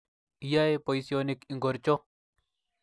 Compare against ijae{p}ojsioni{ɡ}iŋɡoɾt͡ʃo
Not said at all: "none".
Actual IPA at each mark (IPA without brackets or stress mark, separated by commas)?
p, k